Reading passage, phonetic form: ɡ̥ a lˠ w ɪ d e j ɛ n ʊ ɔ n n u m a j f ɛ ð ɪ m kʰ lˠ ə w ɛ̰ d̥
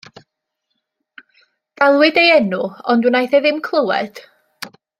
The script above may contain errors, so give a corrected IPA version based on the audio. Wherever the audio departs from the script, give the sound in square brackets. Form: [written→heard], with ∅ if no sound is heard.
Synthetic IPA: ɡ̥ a lˠ w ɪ d e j ɛ n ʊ ɔ n [n→d] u [m→n] a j [f→θ] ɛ ð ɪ m kʰ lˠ ə w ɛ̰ d̥

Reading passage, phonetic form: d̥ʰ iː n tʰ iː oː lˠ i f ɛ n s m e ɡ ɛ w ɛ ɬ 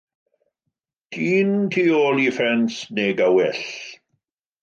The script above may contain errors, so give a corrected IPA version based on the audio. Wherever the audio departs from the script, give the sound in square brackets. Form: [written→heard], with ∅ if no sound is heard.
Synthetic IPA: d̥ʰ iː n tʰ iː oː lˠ i f ɛ n s [m→n] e ɡ [ɛ→a] w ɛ ɬ

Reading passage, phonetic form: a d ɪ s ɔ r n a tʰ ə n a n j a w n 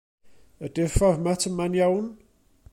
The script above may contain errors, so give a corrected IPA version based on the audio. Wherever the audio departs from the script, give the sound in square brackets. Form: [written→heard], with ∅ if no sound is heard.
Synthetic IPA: [a→ə] d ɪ [s→f] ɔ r [n→m] a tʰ ə [n→m] a n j a w n

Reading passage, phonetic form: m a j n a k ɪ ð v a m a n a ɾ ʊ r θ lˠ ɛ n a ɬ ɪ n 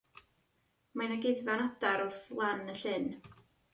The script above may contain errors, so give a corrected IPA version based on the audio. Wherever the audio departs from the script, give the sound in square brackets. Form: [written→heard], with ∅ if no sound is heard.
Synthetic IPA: m a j n a [k→ɡ] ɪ ð v a [m→n] a [n→d] a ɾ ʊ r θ lˠ [ɛ→a] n [a→ə] ɬ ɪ n

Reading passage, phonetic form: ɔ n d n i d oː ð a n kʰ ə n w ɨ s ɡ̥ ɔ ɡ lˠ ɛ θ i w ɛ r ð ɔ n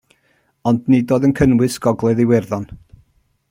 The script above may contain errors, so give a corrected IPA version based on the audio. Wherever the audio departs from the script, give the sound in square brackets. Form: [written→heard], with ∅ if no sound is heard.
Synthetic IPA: ɔ n d n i d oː ð [a→ə] n kʰ ə n w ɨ s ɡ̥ ɔ ɡ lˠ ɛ [θ→ð] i w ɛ r ð ɔ n

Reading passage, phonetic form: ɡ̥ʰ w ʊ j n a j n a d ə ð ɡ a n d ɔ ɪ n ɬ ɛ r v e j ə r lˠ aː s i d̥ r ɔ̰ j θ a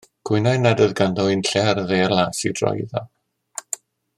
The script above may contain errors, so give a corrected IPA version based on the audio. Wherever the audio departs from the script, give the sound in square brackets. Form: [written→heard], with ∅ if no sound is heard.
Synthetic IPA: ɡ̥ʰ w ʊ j n a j n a d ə ð ɡ a n d ɔ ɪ n ɬ ɛ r [v→ð] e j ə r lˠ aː s i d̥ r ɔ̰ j [θ→ð] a

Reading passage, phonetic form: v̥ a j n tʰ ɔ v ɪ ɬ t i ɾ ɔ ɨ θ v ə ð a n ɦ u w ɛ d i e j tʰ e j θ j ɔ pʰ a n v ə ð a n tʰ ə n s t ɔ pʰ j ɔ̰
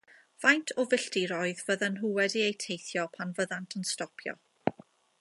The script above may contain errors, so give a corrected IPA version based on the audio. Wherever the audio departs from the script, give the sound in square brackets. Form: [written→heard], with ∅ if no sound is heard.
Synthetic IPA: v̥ a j n tʰ ɔ v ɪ ɬ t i ɾ ɔ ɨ [θ→ð] v ə ð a n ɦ u w ɛ d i e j tʰ e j θ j ɔ pʰ a n v ə ð a n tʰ ə n s t ɔ pʰ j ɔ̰

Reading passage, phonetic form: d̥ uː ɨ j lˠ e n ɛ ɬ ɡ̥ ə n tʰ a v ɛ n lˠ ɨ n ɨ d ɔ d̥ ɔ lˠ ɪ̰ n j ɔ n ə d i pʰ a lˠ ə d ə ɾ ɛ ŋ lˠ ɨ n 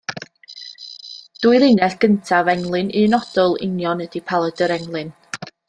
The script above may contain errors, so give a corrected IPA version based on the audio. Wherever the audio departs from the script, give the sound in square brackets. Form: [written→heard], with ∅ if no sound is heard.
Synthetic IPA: d̥ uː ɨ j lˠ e n ɛ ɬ ɡ̥ ə n tʰ a v ɛ [n→ŋ] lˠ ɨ n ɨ [d→n] ɔ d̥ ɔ lˠ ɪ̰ n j ɔ n ə d i pʰ a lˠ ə d ə ɾ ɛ ŋ lˠ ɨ n

